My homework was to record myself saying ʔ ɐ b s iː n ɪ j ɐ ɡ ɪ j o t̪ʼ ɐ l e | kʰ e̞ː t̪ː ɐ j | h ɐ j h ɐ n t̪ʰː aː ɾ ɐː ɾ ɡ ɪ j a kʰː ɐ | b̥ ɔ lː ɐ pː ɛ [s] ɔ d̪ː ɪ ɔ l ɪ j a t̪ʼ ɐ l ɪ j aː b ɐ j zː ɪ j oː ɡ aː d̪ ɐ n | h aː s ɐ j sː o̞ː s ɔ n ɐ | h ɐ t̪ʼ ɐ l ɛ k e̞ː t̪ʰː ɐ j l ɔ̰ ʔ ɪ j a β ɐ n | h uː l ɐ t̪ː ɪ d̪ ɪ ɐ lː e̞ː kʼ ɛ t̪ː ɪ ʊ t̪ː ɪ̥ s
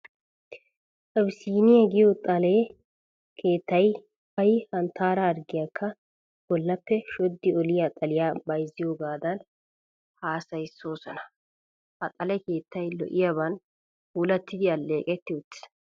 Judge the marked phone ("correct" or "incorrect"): incorrect